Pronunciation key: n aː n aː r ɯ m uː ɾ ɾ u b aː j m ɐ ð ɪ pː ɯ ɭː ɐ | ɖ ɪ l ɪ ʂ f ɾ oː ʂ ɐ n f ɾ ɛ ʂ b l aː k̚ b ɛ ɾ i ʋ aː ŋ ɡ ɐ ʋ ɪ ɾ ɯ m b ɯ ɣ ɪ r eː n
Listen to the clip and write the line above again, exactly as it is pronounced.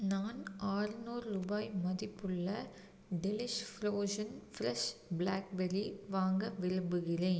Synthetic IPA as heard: n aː n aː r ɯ n uː ɾ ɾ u b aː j m ɐ ð ɪ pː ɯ ɭː ɐ | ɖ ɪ l ɪ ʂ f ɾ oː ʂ ɐ n f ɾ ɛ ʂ b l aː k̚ b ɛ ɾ i ʋ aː ŋ ɡ ɐ ʋ ɪ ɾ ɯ m b ɯ ɣ ɪ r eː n